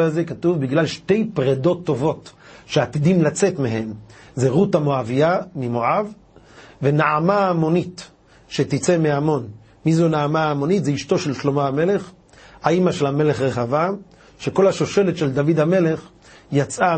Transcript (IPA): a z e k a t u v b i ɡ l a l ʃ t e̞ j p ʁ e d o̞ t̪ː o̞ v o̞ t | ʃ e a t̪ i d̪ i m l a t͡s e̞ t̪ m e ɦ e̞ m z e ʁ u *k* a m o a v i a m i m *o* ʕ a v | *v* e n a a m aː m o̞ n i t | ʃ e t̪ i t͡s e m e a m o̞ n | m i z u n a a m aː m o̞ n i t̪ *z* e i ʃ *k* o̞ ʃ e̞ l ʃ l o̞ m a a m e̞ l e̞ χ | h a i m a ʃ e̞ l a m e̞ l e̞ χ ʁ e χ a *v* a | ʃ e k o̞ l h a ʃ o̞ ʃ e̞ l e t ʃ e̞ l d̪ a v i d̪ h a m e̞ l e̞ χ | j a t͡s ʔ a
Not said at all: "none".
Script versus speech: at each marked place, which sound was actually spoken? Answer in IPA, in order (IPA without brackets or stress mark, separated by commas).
t, o, v, z, t, v